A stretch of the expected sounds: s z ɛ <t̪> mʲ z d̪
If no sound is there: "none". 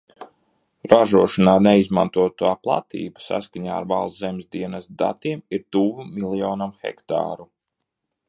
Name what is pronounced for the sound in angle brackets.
none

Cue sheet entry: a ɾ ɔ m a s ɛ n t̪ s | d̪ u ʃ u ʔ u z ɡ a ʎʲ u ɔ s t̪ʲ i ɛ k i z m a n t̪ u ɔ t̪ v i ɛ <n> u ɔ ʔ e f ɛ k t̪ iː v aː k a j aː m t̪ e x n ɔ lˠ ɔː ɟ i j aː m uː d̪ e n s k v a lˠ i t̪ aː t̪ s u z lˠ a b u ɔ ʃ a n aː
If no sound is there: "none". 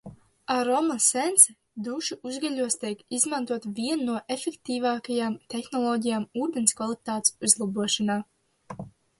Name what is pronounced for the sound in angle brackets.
nː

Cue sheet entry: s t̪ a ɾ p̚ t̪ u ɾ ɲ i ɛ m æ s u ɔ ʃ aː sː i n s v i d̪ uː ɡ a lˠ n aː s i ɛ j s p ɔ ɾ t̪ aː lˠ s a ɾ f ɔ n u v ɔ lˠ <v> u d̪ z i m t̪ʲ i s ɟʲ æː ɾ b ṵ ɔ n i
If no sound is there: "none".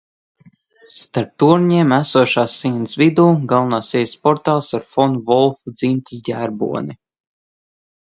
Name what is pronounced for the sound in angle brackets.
f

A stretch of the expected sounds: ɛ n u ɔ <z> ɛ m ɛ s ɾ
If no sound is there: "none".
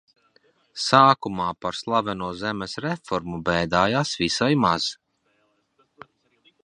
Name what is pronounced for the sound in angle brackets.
z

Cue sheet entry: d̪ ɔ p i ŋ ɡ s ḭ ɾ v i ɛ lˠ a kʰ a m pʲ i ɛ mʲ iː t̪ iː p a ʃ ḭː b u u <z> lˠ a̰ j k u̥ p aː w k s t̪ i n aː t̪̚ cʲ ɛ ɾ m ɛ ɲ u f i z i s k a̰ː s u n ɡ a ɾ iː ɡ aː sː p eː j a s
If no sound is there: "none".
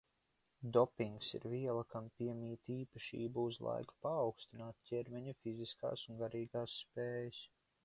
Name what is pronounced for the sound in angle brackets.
z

